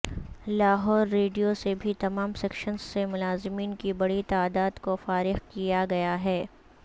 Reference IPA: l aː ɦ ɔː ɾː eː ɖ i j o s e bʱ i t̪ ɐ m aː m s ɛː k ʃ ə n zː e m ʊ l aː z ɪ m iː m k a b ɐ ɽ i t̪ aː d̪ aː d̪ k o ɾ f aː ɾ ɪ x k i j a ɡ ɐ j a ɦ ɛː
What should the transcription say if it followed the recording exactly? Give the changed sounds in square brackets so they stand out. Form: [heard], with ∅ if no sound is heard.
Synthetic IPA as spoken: l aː ɦ ɔː ɾː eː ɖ i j o s e bʱ i t̪ ɐ m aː m s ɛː k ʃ ə n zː e m ʊ l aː z ɪ m iː [n] k [i] b ɐ ɽ i t̪ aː d̪ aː d̪ k o [∅] f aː ɾ ɪ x k i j a ɡ ɐ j a ɦ ɛː